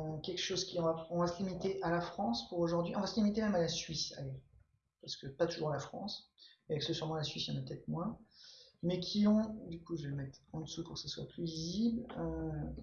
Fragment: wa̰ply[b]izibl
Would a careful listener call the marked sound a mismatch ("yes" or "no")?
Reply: yes